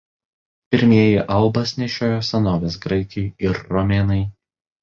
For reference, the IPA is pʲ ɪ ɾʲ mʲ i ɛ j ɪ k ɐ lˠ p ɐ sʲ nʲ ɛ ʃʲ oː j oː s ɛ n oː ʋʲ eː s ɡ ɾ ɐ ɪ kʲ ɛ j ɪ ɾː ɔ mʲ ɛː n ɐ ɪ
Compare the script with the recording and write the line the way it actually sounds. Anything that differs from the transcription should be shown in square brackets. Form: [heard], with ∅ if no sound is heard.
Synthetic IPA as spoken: pʲ ɪ ɾʲ mʲ i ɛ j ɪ [ʔ] ɐ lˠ [b] ɐ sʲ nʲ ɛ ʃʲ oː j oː s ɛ n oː ʋʲ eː s ɡ ɾ ɐ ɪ kʲ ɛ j ɪ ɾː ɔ mʲ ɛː n ɐ ɪ